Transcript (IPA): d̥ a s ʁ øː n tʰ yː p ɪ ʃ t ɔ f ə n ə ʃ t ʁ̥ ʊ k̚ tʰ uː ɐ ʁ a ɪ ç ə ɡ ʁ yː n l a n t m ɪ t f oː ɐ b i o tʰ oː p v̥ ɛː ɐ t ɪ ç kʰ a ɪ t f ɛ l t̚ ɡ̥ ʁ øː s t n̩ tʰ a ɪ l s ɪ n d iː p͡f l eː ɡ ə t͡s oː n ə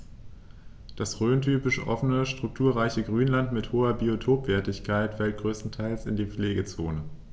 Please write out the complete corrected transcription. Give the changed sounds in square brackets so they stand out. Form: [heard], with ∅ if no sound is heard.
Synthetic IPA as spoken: d̥ a s ʁ øː n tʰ yː p ɪ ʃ [ʔ] ɔ f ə n ə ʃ t ʁ̥ ʊ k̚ tʰ uː ɐ ʁ a ɪ ç ə ɡ ʁ yː n l a n t m ɪ t [h] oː ɐ b i o tʰ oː p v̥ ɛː ɐ t ɪ ç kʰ a ɪ t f ɛ l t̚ ɡ̥ ʁ øː s t n̩ tʰ a ɪ l s ɪ n d iː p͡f l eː ɡ ə t͡s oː n ə